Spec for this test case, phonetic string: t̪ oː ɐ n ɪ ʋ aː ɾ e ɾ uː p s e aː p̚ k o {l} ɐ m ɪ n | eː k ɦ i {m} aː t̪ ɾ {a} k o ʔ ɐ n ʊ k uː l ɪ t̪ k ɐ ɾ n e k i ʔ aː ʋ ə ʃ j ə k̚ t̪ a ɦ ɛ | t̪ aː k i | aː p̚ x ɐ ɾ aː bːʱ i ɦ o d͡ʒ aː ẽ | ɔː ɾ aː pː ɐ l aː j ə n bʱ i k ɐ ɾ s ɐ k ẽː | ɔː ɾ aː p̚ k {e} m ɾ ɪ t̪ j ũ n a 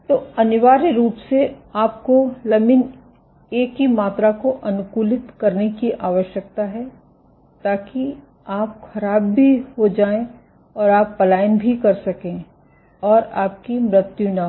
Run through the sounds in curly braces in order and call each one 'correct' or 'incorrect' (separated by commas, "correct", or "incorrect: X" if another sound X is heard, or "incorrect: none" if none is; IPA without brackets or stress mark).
correct, correct, correct, incorrect: i